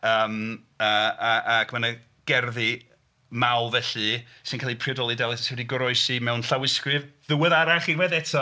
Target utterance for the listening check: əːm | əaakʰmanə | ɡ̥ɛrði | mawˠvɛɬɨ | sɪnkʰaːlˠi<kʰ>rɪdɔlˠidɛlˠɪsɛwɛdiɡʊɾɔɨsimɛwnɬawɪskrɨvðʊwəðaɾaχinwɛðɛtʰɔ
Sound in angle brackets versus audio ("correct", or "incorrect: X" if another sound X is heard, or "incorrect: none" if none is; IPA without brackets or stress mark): incorrect: pʰ